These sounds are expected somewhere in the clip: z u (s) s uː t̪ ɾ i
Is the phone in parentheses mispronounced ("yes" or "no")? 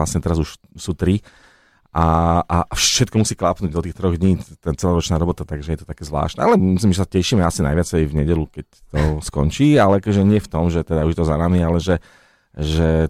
yes